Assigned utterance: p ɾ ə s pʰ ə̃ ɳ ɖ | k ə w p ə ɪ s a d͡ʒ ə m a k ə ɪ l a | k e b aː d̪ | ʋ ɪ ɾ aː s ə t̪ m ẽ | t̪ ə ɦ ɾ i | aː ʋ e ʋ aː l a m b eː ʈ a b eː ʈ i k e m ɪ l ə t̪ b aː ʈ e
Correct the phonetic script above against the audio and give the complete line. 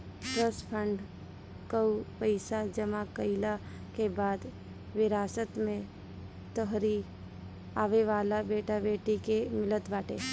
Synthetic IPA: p ɾ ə s pʰ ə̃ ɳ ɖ | k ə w p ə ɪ s a d͡ʒ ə m a k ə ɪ l a | k e b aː d̪ | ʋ ɪ ɾ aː s ə t̪ m ẽ | t̪ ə ɦ ɾ i | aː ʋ e ʋ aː l a b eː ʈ a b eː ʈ i k e m ɪ l ə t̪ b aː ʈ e